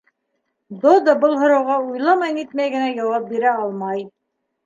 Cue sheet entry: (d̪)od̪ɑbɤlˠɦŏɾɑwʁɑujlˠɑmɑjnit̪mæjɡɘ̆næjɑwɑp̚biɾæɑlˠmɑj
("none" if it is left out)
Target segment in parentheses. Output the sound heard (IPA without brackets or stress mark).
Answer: d̪